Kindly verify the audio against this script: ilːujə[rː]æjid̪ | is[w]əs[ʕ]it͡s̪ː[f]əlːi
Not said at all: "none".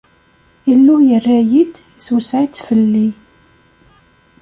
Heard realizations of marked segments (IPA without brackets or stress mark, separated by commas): rː, w, ʕ, f